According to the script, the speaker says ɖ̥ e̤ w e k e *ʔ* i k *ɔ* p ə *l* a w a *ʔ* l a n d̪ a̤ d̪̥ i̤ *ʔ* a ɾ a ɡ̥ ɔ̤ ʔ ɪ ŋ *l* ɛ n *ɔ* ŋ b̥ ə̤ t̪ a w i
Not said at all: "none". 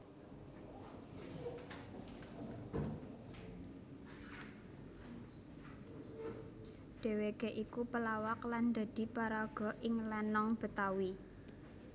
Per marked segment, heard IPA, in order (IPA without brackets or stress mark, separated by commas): ʔ, u, l, k, p, l, ɔ